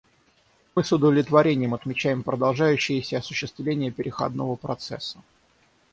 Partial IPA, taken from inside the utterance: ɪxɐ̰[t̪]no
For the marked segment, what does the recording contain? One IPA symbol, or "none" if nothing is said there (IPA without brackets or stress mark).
d̪